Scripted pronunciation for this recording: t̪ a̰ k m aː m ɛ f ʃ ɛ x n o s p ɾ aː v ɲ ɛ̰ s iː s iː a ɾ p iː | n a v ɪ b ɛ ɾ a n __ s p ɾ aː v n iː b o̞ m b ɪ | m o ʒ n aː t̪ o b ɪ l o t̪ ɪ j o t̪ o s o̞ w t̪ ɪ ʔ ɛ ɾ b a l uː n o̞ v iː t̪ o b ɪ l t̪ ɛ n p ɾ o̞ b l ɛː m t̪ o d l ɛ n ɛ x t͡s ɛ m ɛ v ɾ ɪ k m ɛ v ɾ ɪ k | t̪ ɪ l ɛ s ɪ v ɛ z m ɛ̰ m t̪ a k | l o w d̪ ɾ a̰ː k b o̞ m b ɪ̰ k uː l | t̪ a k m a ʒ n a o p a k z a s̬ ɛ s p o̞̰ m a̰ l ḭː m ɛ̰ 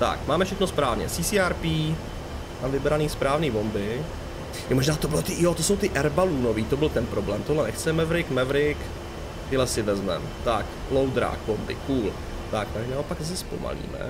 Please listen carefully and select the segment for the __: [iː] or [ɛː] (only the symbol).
iː